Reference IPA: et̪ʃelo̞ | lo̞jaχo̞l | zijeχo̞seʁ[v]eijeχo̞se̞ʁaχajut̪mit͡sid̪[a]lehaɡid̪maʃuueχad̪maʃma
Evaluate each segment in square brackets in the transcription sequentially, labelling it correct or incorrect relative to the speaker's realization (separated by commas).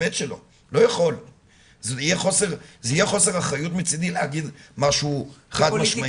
incorrect, incorrect